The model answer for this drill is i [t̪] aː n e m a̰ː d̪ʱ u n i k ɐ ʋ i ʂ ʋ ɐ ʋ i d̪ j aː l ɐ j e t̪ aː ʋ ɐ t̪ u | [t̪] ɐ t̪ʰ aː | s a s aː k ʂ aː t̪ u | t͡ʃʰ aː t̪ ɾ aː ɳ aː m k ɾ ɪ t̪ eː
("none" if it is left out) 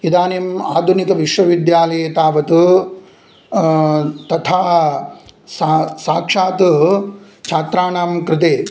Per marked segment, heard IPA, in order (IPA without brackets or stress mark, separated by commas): d̪, t̪